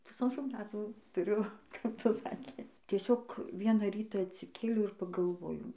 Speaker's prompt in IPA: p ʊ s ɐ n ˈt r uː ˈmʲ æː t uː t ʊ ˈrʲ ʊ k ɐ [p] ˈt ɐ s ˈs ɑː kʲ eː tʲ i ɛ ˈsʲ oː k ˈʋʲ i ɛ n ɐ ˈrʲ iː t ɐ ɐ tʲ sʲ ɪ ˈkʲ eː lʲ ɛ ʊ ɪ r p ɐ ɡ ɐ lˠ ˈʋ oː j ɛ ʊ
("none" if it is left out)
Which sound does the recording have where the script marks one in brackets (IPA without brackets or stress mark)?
p